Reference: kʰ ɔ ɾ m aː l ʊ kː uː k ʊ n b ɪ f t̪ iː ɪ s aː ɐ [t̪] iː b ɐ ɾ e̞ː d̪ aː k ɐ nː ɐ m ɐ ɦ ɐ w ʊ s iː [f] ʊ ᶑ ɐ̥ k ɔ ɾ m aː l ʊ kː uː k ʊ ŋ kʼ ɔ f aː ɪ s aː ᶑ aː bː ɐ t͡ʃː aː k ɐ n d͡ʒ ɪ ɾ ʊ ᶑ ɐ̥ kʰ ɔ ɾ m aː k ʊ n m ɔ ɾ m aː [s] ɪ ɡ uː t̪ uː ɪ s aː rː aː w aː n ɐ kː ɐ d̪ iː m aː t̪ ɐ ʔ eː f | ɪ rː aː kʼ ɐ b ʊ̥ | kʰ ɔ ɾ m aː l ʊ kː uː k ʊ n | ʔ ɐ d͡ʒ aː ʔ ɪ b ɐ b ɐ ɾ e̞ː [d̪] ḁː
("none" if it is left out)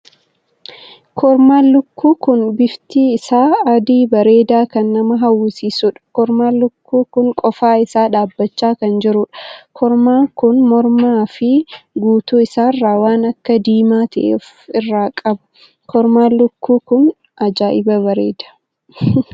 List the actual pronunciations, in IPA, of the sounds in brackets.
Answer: d̪, s, f, d̪

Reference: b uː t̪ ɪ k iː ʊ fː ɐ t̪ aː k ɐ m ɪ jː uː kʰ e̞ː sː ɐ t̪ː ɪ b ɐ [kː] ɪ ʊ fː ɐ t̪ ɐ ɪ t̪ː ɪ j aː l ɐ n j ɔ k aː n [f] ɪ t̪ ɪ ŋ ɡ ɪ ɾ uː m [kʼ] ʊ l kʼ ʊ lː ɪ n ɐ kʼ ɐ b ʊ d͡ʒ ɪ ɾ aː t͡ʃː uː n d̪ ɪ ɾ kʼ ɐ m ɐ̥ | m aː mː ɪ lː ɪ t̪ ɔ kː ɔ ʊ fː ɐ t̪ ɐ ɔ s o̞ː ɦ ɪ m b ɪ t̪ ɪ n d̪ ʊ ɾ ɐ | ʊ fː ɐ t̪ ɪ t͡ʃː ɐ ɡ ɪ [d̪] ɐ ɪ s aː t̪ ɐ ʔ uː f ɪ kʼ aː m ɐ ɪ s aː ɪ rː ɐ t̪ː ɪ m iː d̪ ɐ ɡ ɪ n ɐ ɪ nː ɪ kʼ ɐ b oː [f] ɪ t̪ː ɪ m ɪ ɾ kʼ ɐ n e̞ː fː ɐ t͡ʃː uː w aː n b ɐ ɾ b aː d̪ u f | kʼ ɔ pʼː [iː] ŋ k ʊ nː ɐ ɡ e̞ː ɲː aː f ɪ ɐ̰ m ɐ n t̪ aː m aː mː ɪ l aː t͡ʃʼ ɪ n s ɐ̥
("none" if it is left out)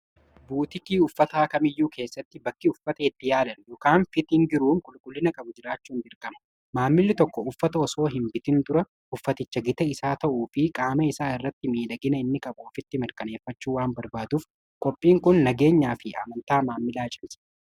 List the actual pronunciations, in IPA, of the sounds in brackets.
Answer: kː, f, kʼ, t̪, f, iː

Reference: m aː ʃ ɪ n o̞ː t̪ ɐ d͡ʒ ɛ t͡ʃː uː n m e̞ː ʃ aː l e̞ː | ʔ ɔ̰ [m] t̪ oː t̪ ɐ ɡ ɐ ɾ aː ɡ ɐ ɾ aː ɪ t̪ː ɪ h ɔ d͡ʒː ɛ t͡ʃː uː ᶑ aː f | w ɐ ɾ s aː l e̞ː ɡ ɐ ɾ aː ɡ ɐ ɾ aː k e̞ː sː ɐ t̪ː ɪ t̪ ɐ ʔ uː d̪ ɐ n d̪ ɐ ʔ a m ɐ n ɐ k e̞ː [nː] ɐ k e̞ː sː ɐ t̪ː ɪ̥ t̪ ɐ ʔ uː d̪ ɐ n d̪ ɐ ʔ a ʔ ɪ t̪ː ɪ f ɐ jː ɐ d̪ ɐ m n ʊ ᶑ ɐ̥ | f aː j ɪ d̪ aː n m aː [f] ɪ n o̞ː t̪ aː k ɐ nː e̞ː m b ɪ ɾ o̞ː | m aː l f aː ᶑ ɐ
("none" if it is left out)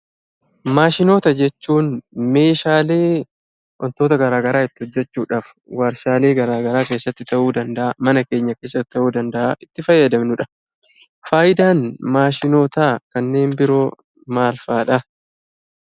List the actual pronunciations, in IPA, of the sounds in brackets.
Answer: n, ɲː, ʃ

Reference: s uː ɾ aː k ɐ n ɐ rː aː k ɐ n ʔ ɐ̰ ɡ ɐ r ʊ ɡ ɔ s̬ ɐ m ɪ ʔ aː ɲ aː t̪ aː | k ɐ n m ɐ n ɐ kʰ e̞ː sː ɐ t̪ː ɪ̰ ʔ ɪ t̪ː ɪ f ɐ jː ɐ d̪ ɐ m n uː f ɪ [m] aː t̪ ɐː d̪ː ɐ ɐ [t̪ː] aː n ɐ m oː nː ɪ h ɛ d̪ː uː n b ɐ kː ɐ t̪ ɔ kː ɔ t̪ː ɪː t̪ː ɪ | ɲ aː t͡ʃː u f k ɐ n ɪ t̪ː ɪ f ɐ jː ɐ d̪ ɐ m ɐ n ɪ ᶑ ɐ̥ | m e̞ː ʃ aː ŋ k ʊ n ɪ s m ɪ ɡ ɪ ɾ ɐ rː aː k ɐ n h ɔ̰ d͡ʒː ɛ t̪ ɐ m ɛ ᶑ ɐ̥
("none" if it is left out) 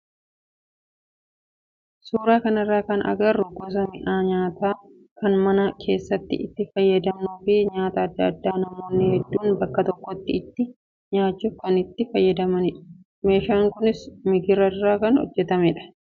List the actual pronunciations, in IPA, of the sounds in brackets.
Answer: ɲ, d̪ː

